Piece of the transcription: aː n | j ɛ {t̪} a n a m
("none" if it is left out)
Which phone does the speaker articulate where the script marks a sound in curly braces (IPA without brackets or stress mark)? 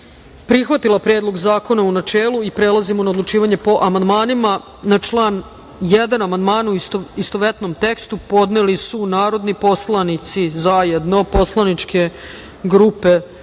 d̪